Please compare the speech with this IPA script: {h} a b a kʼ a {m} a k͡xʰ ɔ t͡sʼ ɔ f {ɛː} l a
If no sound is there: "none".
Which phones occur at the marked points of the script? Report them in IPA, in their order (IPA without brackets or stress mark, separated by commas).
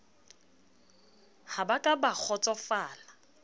h, b, aː